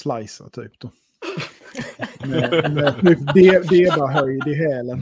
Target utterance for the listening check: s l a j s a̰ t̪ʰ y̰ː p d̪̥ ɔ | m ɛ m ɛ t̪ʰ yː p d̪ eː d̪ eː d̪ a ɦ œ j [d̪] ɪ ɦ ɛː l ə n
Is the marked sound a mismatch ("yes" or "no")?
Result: no